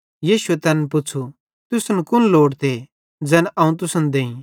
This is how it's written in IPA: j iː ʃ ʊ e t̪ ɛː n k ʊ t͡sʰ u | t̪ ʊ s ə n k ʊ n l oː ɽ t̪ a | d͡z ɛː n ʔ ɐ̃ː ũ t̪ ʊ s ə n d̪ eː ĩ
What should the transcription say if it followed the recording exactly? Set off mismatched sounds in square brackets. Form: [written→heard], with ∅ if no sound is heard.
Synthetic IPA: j iː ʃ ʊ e t̪ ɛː n [k→p] ʊ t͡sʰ u | t̪ ʊ s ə n k ʊ n l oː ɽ t̪ [a→e] | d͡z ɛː n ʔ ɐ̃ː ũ t̪ ʊ s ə n d̪ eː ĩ